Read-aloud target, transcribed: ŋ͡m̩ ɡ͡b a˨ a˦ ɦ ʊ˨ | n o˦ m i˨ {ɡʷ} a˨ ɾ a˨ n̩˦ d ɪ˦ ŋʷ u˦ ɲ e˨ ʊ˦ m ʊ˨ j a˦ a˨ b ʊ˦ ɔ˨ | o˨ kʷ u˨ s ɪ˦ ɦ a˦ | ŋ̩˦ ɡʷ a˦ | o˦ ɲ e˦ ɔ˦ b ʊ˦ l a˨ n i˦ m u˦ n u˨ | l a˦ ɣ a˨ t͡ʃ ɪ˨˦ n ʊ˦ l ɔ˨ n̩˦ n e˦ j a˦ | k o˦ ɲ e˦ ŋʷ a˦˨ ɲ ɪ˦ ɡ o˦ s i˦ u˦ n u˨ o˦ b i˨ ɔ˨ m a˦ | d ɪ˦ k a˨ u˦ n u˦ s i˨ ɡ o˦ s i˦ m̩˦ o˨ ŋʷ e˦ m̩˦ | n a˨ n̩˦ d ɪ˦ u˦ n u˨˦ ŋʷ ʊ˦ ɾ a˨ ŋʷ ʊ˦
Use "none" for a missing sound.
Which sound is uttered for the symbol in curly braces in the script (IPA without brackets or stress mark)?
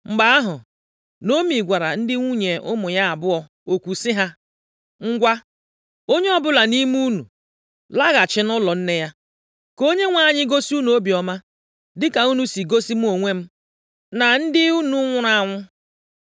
ɡʷ